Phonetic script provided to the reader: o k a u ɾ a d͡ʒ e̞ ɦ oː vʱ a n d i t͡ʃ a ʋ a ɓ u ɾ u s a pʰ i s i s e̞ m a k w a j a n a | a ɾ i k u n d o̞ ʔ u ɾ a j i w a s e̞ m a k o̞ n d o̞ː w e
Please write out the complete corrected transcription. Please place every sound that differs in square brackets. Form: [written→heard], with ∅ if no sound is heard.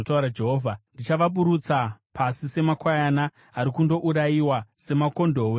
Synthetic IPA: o [k→t] a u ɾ a d͡ʒ e̞ ɦ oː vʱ a n d i t͡ʃ a ʋ a ɓ u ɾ u [s→t͡s] a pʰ [i→a] s i s e̞ m a k w a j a n a | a ɾ i k u n d o̞ ʔ u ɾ a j i w a s e̞ m a k o̞ n d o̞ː w e